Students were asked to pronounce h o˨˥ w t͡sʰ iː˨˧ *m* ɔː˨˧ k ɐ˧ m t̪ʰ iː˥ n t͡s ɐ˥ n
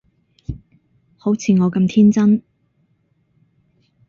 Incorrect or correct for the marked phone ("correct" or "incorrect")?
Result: incorrect